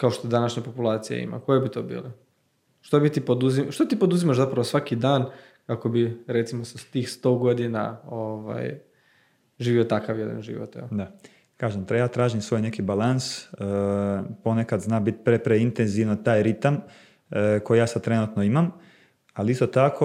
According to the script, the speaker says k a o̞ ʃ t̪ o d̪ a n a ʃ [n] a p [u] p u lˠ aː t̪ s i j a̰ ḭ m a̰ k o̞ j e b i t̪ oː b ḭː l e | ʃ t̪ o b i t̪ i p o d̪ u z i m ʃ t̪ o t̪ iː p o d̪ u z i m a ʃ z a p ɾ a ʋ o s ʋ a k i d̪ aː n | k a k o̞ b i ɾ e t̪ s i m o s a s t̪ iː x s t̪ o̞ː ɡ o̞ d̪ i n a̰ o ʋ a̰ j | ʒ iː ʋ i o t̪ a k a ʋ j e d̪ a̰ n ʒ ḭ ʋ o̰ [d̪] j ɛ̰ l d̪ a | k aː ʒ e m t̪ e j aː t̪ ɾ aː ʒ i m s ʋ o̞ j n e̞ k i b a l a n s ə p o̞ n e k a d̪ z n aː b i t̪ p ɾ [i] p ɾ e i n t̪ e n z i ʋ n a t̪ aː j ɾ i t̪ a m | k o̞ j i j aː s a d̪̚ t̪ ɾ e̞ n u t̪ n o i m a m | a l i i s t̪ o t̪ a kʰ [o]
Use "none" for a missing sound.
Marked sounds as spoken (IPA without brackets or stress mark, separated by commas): ɲ, o, t̪, e, o